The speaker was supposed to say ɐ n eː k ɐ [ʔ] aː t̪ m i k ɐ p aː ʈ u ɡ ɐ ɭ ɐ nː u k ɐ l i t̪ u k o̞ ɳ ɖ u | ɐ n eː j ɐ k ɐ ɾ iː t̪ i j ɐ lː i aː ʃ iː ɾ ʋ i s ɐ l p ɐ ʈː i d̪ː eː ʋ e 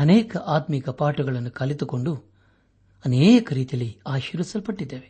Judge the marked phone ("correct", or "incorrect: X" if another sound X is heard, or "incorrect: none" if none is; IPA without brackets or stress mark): correct